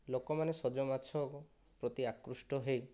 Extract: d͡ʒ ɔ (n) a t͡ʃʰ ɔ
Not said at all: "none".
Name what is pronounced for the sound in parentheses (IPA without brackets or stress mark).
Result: m